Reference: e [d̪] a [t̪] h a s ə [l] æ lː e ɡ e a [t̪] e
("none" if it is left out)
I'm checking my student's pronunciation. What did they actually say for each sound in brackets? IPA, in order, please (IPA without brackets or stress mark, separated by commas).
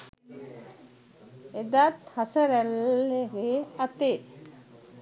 d̪, t̪, ɾ, t̪